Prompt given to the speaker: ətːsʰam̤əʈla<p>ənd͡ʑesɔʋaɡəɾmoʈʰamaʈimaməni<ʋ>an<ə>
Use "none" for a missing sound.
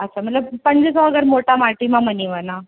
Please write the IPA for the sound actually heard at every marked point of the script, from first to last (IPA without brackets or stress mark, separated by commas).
p, ʋ, a